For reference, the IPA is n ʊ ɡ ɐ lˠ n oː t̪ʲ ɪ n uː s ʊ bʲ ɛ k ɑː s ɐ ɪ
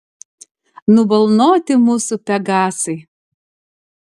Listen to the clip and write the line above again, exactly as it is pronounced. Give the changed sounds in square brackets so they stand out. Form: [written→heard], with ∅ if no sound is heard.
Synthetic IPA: n ʊ [ɡ→b] ɐ lˠ n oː t̪ʲ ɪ [n→m] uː s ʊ [bʲ→pʲ] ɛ [k→ɡ] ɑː s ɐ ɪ